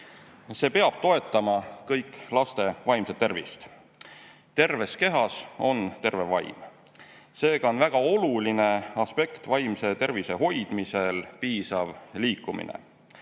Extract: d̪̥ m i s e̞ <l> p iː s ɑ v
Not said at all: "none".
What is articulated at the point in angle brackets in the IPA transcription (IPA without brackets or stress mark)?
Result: l